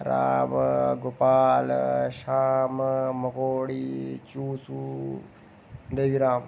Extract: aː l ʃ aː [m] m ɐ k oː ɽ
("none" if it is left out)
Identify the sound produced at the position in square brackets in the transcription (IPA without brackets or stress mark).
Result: m